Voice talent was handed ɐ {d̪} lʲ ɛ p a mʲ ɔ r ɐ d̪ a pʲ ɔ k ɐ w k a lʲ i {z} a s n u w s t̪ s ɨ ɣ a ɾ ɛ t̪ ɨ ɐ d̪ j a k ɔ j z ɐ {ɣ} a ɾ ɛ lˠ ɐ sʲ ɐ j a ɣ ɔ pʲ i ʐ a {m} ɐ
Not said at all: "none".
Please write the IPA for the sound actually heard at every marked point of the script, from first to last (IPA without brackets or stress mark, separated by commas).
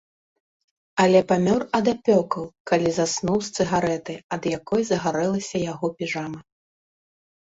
none, z, ɣ, m